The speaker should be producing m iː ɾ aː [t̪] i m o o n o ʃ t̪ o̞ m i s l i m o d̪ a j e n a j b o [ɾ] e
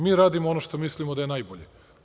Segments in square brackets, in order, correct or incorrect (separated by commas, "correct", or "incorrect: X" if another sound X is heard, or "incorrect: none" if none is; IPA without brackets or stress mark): incorrect: d̪, incorrect: ʎ